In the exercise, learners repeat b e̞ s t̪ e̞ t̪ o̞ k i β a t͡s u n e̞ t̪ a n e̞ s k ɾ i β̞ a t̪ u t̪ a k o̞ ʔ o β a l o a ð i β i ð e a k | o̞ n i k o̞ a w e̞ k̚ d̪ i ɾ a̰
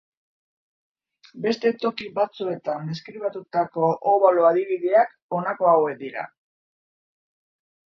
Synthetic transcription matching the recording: b e̞ s t̪ e̞ t̪ o̞ k i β a t͡s u e̞ t̪ a n e̞ s k ɾ i β̞ a t̪ u t̪ a k o̞ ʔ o β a l o a ð i β i ð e a k | o̞ n a k o̞ a w e̞ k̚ d̪ i ɾ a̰